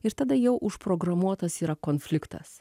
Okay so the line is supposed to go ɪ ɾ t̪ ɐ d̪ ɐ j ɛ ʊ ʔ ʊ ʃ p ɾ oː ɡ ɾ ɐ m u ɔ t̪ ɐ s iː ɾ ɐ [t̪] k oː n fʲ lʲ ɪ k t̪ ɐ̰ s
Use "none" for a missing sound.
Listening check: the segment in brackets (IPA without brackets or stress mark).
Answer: none